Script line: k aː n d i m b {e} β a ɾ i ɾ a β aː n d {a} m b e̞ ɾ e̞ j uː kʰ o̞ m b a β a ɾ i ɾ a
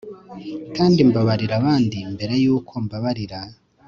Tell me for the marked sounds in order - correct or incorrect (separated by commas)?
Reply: incorrect, incorrect